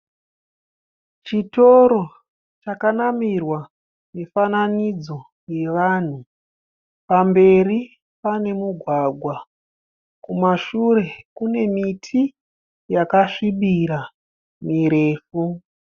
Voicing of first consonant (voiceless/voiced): voiceless